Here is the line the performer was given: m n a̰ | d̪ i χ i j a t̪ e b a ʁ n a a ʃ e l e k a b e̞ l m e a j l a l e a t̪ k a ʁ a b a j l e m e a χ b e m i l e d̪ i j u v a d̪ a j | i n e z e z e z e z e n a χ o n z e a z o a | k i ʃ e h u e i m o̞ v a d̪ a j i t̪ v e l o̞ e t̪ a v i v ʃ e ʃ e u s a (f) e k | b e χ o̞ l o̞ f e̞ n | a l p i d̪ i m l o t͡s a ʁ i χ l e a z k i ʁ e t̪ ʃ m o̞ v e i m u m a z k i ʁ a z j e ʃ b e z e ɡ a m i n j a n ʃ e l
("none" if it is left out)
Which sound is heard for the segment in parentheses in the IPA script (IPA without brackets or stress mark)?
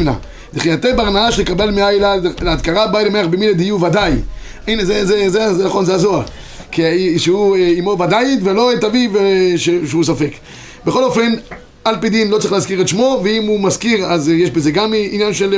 f